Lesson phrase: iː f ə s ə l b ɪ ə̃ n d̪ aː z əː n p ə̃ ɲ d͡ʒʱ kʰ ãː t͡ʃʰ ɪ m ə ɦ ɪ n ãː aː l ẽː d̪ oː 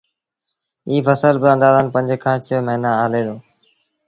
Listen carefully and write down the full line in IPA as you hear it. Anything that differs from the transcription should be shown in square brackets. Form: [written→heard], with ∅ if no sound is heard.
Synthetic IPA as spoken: iː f ə s ə l b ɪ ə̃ n d̪ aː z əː n p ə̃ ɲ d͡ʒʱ kʰ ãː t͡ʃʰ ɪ m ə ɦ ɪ n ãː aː l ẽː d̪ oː